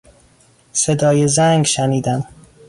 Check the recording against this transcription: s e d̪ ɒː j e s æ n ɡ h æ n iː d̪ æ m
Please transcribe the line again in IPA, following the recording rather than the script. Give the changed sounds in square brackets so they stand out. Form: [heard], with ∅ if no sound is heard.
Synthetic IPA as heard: s e d̪ ɒː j e [z] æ [ŋ] ɡ [ʃ] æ n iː d̪ æ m